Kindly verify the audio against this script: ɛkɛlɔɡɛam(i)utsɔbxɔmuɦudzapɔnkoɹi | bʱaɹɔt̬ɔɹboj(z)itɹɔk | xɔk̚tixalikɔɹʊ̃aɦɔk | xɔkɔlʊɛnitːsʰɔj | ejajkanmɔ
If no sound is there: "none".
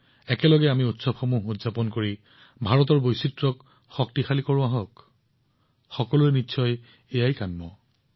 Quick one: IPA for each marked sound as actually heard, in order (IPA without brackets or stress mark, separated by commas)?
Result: i, s